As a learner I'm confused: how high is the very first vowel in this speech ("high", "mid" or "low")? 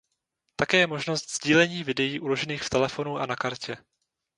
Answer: low